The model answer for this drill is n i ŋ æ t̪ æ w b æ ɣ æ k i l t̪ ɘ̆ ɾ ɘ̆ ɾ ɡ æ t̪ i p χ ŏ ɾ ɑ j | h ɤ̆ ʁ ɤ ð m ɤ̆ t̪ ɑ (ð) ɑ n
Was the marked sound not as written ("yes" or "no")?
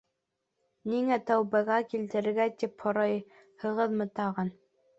yes